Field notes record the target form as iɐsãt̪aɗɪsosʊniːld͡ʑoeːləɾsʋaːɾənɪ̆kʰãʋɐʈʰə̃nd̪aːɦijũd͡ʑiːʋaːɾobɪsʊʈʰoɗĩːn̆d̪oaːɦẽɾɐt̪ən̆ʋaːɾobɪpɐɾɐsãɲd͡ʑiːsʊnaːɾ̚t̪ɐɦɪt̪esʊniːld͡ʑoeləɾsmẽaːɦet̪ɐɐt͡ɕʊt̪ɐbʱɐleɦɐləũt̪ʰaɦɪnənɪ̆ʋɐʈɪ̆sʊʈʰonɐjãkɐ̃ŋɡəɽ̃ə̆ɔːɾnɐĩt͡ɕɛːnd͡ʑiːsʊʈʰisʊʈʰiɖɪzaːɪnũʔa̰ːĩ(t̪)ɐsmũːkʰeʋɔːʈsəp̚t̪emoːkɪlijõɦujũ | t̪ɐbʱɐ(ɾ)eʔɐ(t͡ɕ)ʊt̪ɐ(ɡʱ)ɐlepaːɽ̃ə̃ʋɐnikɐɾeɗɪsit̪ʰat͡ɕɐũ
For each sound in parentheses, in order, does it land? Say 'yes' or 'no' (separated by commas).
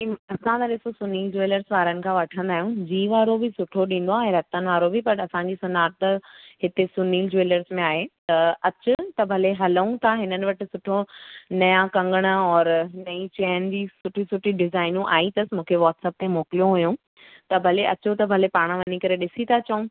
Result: yes, no, yes, no